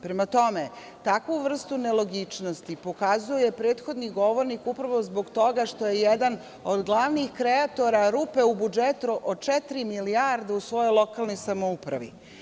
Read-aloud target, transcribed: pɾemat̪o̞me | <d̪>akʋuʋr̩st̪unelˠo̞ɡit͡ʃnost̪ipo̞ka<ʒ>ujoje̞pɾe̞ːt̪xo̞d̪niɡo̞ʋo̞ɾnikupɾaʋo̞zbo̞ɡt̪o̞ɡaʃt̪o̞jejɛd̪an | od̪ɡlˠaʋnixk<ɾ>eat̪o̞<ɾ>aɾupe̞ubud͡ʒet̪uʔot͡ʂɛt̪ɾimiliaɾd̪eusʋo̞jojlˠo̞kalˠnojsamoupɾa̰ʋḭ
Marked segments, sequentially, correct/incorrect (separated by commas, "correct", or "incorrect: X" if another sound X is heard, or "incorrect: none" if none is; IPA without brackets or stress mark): incorrect: t̪, incorrect: z, correct, correct